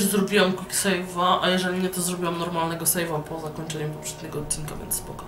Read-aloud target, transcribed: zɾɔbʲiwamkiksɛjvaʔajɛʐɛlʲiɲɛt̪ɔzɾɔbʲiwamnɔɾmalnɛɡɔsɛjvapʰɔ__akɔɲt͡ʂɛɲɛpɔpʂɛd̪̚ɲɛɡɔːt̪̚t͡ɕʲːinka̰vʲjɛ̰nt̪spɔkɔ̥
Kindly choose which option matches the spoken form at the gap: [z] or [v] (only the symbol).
z